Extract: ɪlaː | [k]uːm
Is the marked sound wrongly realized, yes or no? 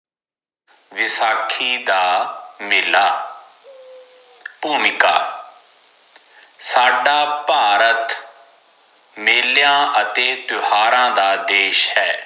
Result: yes